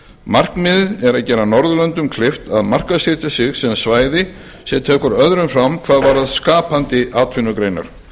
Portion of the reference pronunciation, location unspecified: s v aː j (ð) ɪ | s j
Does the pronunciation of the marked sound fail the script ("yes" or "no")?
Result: no